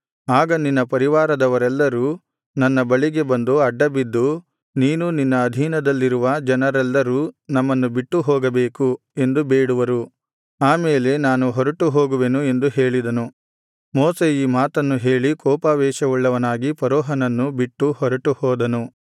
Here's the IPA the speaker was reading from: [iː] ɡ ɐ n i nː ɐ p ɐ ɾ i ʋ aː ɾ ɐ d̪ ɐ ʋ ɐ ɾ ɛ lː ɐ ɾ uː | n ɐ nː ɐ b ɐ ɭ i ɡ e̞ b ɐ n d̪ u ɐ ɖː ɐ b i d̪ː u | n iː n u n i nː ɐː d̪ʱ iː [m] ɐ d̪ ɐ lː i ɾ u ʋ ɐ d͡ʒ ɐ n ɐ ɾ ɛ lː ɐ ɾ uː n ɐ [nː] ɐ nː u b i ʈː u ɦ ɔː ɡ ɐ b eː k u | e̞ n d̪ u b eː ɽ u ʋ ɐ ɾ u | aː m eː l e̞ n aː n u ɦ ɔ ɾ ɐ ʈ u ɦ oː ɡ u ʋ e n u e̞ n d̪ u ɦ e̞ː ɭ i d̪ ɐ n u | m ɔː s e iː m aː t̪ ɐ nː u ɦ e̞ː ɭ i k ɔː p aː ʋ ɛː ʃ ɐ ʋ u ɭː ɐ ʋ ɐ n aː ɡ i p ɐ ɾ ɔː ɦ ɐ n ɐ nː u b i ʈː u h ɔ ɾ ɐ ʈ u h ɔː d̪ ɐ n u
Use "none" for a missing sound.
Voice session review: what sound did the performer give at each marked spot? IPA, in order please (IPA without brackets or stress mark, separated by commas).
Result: aː, n, mː